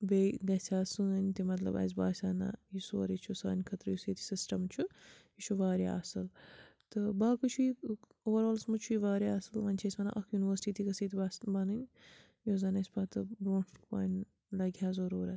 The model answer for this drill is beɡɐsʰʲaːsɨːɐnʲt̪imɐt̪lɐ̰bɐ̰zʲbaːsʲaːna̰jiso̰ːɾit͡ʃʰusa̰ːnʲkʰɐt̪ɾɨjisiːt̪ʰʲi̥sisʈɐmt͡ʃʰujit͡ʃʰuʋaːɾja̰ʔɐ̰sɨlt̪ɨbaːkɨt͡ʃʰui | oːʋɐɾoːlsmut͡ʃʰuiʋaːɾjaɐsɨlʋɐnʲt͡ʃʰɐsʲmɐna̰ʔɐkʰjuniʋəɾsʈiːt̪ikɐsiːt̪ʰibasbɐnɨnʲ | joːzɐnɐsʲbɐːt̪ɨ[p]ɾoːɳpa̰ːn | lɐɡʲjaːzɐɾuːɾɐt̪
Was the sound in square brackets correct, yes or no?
no